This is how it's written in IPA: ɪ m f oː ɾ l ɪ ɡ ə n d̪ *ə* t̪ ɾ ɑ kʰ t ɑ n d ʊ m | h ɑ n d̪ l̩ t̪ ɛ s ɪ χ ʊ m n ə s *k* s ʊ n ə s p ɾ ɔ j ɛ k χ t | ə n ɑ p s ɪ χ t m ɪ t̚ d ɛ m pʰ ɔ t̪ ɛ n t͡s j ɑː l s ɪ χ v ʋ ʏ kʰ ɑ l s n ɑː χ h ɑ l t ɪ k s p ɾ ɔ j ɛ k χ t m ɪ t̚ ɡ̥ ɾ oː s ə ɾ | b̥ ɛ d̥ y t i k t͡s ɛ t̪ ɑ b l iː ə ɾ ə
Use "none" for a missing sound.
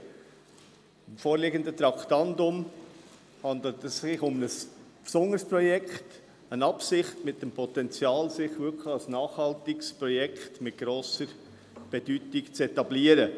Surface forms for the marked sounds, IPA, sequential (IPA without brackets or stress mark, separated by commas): ə, p